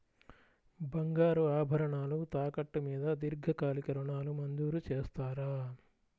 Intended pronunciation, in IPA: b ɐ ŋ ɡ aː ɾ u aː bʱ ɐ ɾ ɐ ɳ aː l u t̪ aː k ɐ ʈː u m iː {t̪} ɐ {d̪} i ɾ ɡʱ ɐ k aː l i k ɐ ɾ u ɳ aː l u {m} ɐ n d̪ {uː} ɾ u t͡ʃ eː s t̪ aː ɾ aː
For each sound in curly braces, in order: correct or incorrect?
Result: incorrect, correct, correct, correct

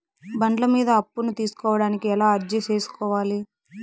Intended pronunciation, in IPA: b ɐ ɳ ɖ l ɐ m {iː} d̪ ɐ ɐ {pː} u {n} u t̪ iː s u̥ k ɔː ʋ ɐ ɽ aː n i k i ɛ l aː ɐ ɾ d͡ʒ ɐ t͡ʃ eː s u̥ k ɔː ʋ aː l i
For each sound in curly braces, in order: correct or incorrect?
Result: correct, correct, correct

